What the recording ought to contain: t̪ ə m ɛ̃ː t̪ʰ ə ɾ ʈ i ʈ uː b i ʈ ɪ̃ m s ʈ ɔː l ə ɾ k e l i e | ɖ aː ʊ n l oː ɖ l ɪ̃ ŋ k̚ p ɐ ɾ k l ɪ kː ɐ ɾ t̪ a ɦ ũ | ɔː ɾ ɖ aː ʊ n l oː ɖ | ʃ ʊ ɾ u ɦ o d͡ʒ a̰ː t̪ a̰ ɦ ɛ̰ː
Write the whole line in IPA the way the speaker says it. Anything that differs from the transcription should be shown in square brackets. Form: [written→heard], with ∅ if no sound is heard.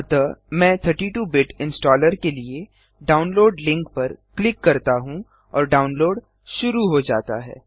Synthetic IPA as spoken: t̪ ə m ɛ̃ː t̪ʰ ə ɾ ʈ i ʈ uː b [i→ɪ] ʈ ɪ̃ [m→n] s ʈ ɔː l ə ɾ k e l i e | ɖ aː ʊ n l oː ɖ l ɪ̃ ŋ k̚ p ɐ ɾ k l ɪ kː ɐ ɾ t̪ a ɦ ũ | ɔː ɾ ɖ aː ʊ n l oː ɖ | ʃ ʊ ɾ u ɦ o d͡ʒ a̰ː t̪ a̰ ɦ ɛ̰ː